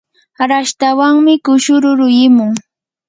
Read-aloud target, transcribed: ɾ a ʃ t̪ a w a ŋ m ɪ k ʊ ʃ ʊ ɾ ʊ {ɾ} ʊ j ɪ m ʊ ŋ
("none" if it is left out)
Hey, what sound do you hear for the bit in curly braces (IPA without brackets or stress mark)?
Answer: ɾ